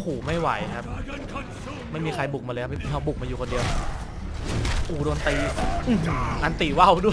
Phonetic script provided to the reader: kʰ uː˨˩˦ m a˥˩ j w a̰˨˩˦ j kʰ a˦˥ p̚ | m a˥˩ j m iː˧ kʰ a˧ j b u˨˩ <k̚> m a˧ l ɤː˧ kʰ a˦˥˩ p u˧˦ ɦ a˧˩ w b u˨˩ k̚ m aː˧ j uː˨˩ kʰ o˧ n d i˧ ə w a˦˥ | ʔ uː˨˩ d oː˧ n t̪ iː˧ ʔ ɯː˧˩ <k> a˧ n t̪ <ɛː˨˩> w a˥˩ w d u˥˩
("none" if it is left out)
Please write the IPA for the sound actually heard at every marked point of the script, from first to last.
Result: k̚, ʔ, iː˨˩

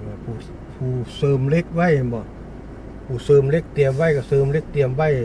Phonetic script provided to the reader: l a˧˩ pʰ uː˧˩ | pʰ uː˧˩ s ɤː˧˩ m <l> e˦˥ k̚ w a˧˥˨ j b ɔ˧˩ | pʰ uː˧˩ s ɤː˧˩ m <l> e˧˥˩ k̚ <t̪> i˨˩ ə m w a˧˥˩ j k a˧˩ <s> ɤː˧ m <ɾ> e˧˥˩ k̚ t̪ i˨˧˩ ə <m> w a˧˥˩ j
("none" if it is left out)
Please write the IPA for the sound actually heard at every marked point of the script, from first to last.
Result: l, l, t̪, s, l, m

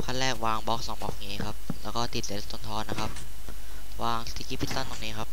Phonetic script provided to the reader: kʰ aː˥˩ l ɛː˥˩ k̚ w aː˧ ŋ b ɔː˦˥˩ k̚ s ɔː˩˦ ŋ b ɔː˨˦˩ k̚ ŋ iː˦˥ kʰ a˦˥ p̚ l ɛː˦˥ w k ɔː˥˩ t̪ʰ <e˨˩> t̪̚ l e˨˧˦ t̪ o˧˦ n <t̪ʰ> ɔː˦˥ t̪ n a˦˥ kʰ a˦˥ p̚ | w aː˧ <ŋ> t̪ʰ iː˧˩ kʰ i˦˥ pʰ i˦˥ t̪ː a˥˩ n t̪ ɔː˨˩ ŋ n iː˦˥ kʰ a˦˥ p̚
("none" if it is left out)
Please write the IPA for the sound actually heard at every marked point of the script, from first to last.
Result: i˨˩, t̪ʰ, ŋ

